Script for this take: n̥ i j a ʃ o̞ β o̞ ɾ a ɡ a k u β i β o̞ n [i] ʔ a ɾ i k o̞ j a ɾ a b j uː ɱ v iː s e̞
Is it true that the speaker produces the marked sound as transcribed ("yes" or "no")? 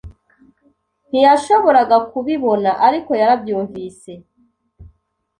no